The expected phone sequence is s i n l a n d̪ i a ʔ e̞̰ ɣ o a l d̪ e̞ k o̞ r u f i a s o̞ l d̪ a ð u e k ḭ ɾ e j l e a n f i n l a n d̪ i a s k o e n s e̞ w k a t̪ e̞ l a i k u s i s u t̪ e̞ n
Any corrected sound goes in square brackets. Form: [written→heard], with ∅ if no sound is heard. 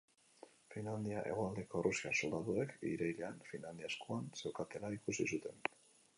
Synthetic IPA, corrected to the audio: [s→f] i n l a n d̪ i a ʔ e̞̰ ɣ o a l d̪ e̞ k o̞ r u [f→s] i a s o̞ l d̪ a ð u e k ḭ ɾ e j l e a n f i n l a n d̪ i a s k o [e→a] n s e̞ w k a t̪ e̞ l a i k u s i s u t̪ e̞ n